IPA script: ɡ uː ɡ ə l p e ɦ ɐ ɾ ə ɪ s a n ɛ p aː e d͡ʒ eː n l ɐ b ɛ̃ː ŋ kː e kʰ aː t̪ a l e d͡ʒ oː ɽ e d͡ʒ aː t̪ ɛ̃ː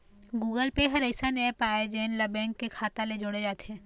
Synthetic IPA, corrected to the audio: ɡ uː ɡ ə l p e ɦ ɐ ɾ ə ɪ s a n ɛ p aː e d͡ʒ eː n l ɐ b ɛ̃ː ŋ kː e kʰ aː t̪ a l e d͡ʒ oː ɽ e d͡ʒ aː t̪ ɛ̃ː